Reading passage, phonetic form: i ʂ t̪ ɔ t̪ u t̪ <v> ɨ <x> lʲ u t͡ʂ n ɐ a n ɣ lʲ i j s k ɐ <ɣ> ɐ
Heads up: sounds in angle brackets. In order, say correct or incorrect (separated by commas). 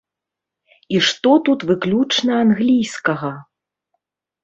correct, incorrect, correct